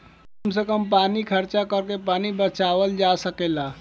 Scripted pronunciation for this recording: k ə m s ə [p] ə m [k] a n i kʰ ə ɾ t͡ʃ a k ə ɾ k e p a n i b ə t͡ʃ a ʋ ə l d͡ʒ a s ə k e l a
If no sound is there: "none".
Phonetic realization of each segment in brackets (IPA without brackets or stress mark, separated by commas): k, p